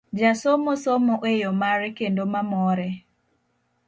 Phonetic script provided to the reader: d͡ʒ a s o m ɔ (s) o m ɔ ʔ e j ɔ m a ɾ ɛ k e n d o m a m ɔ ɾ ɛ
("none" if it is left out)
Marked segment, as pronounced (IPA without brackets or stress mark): s